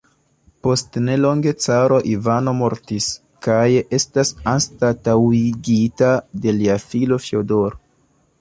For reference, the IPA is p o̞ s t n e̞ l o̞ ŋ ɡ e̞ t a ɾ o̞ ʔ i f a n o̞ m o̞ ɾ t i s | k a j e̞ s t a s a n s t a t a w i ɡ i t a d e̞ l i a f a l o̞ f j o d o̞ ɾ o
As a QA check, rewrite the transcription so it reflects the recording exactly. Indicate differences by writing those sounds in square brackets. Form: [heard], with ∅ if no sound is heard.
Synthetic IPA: p o̞ s t n e̞ l o̞ ŋ ɡ e̞ [t͡s] a ɾ o̞ ʔ i [v] a n o̞ m o̞ ɾ t i s | k a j e̞ s t a s a n s t a t a w i ɡ i t a d e̞ l i a f [i] l o̞ f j o d o̞ ɾ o